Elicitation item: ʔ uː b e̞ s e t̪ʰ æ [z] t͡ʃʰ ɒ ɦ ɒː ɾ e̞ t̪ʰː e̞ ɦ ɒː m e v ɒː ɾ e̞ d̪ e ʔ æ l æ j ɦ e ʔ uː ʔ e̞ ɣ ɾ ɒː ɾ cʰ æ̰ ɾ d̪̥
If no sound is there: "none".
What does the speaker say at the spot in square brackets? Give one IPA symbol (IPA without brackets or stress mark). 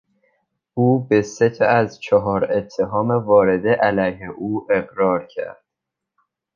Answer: z